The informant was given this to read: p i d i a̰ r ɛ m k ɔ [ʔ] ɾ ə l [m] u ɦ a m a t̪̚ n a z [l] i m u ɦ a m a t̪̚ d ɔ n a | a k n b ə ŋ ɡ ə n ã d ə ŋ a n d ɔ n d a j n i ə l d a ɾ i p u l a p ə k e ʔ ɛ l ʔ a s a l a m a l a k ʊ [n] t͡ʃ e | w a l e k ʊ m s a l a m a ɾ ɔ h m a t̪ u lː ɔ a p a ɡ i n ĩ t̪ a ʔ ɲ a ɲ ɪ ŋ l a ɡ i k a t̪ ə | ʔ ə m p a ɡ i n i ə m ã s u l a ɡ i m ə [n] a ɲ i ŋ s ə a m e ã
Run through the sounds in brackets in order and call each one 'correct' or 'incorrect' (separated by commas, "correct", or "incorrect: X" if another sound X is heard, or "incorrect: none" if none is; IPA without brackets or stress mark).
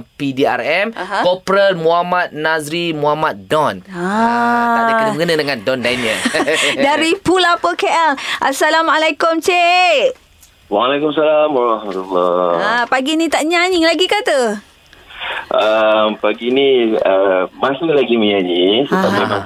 incorrect: p, correct, incorrect: ɾ, incorrect: m, incorrect: ɲ